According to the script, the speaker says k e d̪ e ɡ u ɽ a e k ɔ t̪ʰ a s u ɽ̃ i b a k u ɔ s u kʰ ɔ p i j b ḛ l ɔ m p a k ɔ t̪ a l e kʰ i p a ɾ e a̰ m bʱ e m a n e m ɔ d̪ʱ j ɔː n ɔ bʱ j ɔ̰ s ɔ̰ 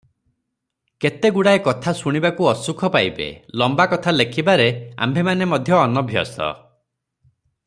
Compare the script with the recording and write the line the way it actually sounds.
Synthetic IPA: k e t̪ e ɡ u ɽ a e k ɔ t̪ʰ a s u ɽ̃ i b a k u ɔ s u kʰ ɔ p a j b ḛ l ɔ m b a k ɔ t̪ʰ a l e kʰ i b a ɾ e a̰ m bʱ e m a n e m ɔ d̪ʱ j ɔː n ɔ bʱ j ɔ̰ s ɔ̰